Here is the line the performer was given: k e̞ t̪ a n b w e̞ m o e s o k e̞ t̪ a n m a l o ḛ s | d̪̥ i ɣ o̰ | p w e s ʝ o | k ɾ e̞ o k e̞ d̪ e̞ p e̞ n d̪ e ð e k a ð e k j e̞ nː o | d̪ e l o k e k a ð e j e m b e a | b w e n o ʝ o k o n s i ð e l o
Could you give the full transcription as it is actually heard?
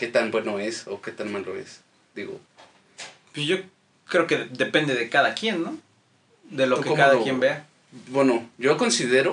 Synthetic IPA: k e̞ t̪ a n b w e̞ n o e s o k e̞ t̪ a n m a l o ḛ s | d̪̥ i ɣ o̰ | p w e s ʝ o | k ɾ e̞ o k e̞ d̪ e̞ p e̞ n d̪ e ð e k a ð a k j e̞ nː o | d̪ e l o k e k a ð a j e m b e a | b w e n o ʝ o k o n s i ð e ɾ o